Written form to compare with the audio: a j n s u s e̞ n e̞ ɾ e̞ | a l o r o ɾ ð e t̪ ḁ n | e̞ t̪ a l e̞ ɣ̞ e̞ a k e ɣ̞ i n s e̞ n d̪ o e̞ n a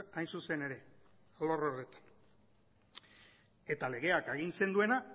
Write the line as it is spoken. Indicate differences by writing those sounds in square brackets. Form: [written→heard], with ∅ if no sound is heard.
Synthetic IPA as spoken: a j n s u s e̞ n e̞ ɾ e̞ | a l o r o ɾ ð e t̪ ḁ n | e̞ t̪ a l e̞ ɣ̞ e̞ a k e ɣ̞ i n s e̞ n d̪ [o→u] e̞ n a